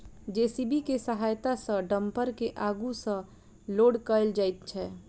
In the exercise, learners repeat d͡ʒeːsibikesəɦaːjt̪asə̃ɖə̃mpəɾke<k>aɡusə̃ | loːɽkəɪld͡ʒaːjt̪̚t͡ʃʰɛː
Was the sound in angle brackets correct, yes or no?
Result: no